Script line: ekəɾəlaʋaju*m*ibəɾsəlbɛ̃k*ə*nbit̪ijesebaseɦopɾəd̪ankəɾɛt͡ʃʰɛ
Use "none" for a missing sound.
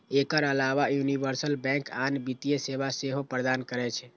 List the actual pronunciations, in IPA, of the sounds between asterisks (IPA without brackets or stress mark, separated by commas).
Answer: n, a